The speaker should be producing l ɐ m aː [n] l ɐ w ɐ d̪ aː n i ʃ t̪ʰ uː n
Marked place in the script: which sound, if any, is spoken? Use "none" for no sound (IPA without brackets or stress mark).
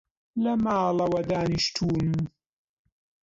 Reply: none